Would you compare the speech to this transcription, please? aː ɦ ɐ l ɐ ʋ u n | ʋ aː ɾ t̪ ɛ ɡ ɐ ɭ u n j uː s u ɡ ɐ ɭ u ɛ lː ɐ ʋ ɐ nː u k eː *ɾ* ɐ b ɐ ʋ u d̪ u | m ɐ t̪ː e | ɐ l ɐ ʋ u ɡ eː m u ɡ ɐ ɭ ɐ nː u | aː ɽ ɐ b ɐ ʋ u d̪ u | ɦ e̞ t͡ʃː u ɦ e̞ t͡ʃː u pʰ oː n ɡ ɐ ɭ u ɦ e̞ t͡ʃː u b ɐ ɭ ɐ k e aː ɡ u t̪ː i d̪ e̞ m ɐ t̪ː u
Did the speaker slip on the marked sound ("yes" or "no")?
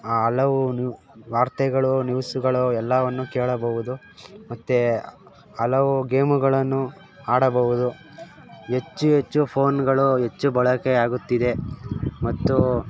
yes